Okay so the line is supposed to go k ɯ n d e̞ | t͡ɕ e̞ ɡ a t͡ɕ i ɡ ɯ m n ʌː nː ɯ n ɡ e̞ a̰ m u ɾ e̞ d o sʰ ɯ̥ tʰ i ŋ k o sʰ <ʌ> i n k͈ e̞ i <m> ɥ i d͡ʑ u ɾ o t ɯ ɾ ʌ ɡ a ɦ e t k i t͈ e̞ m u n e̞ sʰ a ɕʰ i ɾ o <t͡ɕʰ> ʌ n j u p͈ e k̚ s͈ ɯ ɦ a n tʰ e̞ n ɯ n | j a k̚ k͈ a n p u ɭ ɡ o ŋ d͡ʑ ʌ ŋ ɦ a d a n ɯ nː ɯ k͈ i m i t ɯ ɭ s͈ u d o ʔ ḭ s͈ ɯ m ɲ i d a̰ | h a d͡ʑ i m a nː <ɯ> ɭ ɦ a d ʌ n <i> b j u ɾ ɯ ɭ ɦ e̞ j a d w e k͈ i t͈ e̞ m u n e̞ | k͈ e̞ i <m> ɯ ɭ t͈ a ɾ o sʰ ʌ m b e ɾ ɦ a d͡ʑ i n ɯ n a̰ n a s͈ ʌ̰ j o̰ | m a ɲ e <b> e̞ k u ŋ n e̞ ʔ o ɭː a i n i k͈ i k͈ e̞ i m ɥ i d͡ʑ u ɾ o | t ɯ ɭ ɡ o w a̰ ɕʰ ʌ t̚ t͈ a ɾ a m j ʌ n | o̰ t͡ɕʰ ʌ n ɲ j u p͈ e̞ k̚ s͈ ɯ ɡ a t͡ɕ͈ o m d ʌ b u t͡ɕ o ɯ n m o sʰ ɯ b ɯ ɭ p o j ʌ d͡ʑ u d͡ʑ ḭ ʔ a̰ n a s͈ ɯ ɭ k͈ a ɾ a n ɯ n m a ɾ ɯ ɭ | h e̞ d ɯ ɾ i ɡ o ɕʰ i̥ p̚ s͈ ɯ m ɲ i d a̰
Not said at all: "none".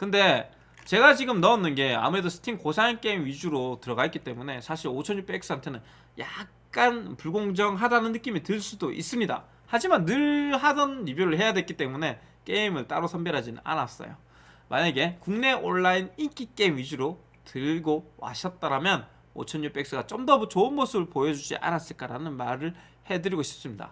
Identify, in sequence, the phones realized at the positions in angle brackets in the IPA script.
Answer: a, m, t͡ɕʰ, ɯ, i, m, ɡ

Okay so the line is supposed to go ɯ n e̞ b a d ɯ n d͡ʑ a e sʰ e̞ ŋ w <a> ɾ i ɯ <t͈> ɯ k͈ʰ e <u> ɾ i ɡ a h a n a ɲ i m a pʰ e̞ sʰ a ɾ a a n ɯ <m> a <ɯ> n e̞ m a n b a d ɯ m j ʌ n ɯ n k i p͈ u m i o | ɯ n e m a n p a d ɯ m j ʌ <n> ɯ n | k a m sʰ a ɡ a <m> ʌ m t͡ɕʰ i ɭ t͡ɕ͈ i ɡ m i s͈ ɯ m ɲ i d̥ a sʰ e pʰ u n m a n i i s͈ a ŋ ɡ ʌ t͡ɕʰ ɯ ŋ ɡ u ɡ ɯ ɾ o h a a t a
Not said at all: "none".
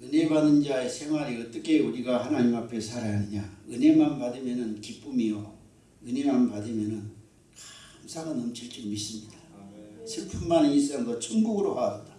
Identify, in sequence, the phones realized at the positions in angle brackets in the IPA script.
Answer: a, t͈, u, ɲ, ɯ, n, n

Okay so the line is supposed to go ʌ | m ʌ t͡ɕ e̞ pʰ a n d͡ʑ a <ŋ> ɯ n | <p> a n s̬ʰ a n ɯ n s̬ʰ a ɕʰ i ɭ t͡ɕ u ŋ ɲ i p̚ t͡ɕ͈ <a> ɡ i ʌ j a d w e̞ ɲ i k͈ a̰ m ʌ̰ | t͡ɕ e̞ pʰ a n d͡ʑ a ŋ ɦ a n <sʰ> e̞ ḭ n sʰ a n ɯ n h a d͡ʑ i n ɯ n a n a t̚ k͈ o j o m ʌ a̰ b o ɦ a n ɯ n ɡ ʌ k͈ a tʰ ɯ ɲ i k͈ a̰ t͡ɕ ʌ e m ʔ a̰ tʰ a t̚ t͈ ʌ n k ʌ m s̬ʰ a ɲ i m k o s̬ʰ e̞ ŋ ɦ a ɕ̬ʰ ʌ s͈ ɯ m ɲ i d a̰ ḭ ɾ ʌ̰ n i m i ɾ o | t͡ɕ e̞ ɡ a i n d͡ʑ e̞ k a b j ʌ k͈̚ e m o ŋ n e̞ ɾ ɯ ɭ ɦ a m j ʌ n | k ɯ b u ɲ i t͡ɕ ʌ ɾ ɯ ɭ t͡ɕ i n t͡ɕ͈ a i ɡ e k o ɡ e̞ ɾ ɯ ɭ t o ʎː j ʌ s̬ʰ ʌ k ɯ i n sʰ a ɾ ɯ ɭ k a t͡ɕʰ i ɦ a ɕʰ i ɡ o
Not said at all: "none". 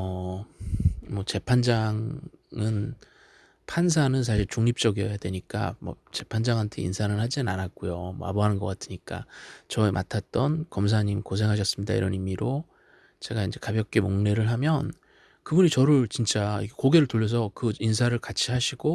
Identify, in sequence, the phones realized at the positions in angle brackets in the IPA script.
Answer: ŋ, pʰ, ʌ, tʰ

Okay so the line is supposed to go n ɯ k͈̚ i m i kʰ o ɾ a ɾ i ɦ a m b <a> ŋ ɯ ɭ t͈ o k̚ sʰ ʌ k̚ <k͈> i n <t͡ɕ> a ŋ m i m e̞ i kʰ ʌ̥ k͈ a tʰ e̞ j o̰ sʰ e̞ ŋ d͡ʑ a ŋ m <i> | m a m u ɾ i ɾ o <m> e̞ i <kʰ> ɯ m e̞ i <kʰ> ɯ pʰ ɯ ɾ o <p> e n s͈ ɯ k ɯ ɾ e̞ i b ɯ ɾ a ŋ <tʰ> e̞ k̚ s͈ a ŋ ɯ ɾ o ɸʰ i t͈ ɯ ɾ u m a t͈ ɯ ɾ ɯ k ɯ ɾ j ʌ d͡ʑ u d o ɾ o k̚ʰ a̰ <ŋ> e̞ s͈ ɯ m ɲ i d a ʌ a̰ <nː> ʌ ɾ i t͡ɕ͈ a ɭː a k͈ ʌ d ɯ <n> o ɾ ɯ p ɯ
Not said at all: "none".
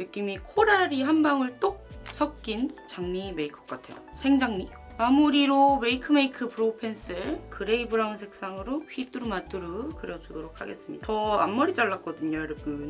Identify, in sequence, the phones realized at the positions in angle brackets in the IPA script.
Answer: a, k͈, t͡ɕ, i, m, kʰ, kʰ, pʰ, sʰ, ɡ, mː, ɲ

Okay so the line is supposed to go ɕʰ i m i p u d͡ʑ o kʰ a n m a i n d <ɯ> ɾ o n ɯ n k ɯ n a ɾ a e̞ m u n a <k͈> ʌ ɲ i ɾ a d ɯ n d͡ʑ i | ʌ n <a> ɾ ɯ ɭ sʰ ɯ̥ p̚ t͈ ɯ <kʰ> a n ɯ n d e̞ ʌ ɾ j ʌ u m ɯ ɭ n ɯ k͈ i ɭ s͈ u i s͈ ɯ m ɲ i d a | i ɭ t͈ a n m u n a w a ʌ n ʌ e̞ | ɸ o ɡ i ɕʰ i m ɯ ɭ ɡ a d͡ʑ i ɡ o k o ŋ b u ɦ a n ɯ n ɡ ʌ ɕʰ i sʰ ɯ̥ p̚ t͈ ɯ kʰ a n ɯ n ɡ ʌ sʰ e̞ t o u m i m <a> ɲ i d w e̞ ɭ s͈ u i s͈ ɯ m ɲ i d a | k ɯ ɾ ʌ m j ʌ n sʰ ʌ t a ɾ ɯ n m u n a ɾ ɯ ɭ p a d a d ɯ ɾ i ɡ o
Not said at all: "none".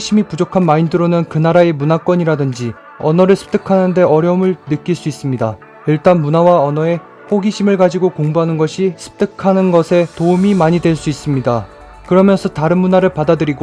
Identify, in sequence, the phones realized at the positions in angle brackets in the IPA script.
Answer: ɯ, k͈, ʌ, kʰ, a

